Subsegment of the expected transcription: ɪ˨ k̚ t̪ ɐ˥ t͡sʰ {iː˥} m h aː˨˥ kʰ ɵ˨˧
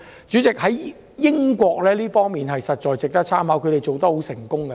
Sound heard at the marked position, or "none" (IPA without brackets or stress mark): aː˥